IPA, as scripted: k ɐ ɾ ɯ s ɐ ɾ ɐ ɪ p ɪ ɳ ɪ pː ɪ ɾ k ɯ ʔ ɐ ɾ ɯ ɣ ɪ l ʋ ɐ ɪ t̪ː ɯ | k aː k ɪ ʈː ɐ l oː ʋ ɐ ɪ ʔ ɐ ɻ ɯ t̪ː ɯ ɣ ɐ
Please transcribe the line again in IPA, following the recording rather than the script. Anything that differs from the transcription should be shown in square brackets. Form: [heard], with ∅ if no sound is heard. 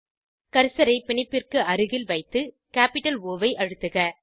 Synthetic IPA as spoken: k ɐ ɾ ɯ s ɐ ɾ ɐ ɪ p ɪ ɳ ɪ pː ɪ [r] k ɯ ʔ ɐ ɾ ɯ ɣ ɪ l ʋ ɐ ɪ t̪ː ɯ | k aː [p] ɪ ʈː ɐ l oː ʋ ɐ ɪ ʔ ɐ ɻ ɯ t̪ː ɯ ɣ ɐ